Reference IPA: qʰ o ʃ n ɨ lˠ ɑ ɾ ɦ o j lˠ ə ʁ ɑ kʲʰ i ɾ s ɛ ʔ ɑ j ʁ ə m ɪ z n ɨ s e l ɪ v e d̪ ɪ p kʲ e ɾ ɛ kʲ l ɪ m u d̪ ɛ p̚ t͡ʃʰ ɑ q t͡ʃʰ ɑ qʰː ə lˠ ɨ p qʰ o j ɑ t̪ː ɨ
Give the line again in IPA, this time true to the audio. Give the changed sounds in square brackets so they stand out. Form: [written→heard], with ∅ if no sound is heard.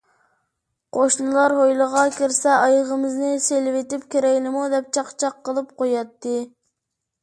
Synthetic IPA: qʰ o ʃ n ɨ lˠ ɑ ɾ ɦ o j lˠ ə ʁ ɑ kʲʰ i ɾ s ɛ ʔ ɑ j ʁ ə m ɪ z n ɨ s e l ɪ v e [d̪→t̪] ɪ p kʲ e ɾ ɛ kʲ l ɪ m u d̪ ɛ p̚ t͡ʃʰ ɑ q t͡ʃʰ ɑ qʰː ə lˠ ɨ p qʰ o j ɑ t̪ː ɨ